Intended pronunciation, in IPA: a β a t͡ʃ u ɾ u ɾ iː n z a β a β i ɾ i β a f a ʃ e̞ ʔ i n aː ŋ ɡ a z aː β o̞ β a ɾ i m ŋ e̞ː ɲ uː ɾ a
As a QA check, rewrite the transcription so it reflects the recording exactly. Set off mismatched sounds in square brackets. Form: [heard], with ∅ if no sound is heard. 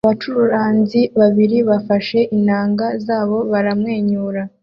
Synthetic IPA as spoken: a β a t͡ʃ u ɾ u ɾ [aː] n z [i] β a β i ɾ i β a f a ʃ e̞ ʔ i n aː ŋ ɡ a z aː β o̞ β a ɾ [a] m ŋ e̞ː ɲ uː ɾ a

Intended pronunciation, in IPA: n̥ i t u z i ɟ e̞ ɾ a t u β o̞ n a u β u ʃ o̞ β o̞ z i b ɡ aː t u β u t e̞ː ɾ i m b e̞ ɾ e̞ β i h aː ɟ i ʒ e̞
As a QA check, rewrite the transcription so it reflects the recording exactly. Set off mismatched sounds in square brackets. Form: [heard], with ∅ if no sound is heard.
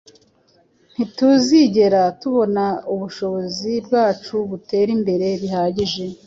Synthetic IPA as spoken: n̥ i t u z i ɟ e̞ ɾ a t u β o̞ n a u β u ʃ o̞ β o̞ z i b ɡ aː [t͡ʃ] u β u t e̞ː ɾ i m b e̞ ɾ e̞ β i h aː ɟ i ʒ e̞

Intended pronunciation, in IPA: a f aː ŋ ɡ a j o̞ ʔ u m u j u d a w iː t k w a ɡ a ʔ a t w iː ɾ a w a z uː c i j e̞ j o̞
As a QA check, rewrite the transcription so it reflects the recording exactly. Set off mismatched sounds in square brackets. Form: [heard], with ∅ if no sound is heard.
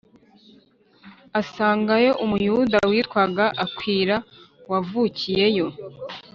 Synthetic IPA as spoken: a [s] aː ŋ ɡ a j o̞ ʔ u m u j u d a w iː t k w a ɡ a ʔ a [k] w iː ɾ a w a [v] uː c i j e̞ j o̞

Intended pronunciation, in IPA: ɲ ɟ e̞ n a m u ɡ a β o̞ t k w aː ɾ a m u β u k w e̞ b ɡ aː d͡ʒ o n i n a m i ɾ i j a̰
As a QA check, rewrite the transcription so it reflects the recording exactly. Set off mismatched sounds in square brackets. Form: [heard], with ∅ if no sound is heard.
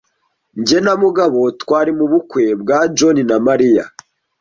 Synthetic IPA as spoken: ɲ ɟ e̞ n a m u ɡ a β o̞ t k w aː ɾ [i] m u β u k w e̞ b ɡ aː d͡ʒ o n i n a m [a] ɾ i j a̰

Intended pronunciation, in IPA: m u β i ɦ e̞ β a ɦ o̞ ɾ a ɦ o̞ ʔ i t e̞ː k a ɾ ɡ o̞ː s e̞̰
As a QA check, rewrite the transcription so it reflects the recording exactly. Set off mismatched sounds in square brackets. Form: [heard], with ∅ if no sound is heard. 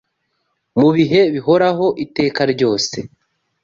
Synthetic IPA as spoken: m u β i ɦ e̞ β [i] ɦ o̞ ɾ a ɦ o̞ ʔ i t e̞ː k a ɾ [ɟ] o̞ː s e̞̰

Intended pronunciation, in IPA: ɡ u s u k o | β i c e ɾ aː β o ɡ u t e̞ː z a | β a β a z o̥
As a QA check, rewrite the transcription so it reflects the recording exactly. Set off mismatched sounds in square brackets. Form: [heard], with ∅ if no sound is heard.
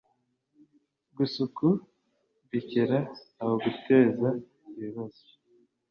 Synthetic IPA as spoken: ɡ u s u k [u] | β i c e ɾ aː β o ɡ u t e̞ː z a | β [i] β a z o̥

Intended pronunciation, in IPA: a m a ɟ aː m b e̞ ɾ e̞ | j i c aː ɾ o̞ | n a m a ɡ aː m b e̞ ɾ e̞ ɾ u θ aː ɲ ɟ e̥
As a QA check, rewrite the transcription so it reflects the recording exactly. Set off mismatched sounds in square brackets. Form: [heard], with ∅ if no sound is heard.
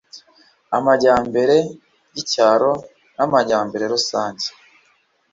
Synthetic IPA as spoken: a m a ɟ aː m b e̞ ɾ e̞ | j i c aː ɾ o̞ | n a m a [ɟ] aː m b e̞ ɾ e̞ ɾ u [s] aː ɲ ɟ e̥

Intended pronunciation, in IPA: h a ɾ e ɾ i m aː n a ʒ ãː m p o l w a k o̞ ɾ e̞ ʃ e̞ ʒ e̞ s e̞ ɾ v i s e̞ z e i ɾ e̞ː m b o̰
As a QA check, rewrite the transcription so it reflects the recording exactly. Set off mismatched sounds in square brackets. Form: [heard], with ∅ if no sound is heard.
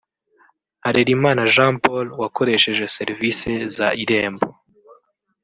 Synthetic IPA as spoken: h a ɾ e ɾ i m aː n a ʒ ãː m p o l w a k o̞ ɾ e̞ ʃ e̞ ʒ e̞ s e̞ ɾ v i s e̞ z [a] i ɾ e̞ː m b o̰

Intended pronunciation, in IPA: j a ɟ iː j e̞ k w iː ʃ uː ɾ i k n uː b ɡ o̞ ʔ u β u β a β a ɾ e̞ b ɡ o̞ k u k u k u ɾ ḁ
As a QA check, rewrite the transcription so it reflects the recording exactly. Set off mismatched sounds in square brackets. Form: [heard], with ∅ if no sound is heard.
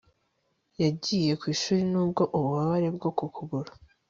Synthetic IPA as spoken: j a ɟ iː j e̞ k w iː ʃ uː ɾ i [∅] n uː b ɡ o̞ ʔ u β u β a β a ɾ e̞ b ɡ o̞ k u k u [ɡ] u ɾ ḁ

